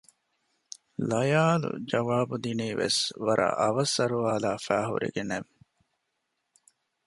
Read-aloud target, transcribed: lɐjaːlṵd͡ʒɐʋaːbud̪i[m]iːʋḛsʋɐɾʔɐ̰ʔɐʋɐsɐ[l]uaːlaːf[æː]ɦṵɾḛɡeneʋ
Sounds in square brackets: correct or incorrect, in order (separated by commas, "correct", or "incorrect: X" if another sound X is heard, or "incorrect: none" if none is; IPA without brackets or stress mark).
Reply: incorrect: n, incorrect: ɾ, correct